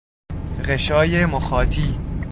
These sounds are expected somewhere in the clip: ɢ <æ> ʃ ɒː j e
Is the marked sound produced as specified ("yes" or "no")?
no